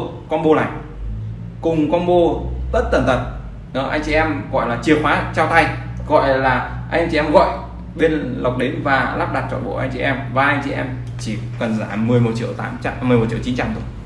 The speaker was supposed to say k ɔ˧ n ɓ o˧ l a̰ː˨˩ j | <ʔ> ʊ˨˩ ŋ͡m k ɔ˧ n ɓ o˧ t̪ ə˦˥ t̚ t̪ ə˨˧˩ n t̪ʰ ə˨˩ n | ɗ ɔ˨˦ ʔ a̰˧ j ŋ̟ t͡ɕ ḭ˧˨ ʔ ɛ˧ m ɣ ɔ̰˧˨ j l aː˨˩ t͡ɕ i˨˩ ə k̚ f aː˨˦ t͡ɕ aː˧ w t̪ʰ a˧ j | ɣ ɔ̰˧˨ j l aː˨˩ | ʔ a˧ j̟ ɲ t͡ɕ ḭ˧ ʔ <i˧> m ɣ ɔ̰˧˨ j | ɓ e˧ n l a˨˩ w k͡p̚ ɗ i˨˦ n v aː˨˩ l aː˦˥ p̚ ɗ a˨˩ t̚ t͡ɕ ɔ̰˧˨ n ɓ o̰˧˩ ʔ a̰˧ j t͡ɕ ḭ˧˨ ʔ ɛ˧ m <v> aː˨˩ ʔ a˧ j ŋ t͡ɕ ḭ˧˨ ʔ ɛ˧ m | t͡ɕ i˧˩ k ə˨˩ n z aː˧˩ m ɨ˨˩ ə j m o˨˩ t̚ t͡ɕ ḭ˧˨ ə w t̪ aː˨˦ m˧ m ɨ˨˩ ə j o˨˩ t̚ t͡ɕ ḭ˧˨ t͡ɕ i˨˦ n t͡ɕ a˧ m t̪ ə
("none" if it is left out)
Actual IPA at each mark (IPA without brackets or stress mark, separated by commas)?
k, ɛ˧, v